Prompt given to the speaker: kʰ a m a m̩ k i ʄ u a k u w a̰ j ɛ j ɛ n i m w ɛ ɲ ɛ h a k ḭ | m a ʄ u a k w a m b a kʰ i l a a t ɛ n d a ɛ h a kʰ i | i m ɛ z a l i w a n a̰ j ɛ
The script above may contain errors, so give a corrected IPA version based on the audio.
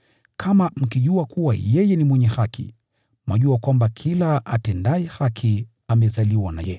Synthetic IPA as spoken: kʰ a m a m̩ k i ʄ u a k u w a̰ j ɛ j ɛ n i m w ɛ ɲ ɛ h a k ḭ | m a ʄ u a k w a m b a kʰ i l a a t ɛ n d a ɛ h a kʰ i | a m ɛ z a l i w a n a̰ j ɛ

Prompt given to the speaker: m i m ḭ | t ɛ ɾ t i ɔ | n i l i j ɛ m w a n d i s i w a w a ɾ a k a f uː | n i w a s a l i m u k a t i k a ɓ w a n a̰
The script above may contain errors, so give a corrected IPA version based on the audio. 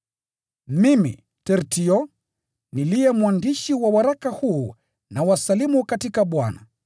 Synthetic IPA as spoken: m i m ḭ | t ɛ ɾ t i ɔ | n i l i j ɛ m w a n d i ʃ i w a w a ɾ a k a h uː | n a w a s a l i m u k a t i k a ɓ w a n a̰

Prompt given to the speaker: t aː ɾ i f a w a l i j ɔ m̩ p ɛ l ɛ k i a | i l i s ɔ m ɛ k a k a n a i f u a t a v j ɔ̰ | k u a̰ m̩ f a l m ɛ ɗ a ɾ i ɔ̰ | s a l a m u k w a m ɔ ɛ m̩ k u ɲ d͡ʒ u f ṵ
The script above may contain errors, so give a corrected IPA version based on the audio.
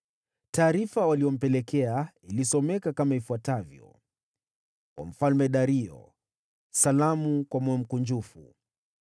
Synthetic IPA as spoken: t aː ɾ i f a w a l i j ɔ m̩ p ɛ l ɛ k ɛ a | i l i s ɔ m ɛ k a k a m a i f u a t a v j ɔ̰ | k w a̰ m̩ f a l m ɛ ɗ a ɾ i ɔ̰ | s a l a m u k w a m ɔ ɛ m̩ k u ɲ d͡ʒ u f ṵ

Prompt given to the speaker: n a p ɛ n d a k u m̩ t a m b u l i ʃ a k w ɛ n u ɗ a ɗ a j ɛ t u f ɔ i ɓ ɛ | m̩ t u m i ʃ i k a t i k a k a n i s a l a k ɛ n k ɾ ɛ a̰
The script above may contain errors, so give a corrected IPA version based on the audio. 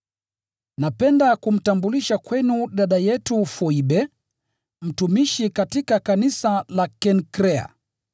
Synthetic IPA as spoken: n a p ɛ n d a k u m̩ t a m b u l i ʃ a k w ɛ n u ɗ a ɗ a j ɛ t u f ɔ i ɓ ɛ | m̩ t u m i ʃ i k a t i k a k a n i s a l a k ɛ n k ɾ ɛ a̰

